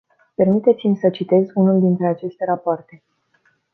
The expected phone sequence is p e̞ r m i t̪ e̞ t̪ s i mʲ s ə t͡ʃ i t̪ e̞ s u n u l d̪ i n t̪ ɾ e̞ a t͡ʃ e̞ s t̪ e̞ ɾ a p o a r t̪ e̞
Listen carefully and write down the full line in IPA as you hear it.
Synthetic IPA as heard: p e̞ r m i t̪ e̞ t̪ s i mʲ s ə t͡ʃ i t̪ e̞ z u n u l d̪ i n t̪ ɾ e̞ a t͡ʃ e̞ s t̪ e̞ ɾ a p o a r t̪ e̞